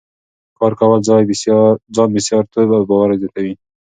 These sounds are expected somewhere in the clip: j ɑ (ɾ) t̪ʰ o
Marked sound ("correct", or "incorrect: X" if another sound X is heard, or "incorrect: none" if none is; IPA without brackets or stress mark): correct